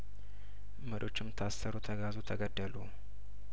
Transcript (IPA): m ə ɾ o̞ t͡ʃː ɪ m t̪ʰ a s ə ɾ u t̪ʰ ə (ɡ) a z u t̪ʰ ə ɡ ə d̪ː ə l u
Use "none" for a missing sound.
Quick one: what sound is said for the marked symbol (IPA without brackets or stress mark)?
ɡ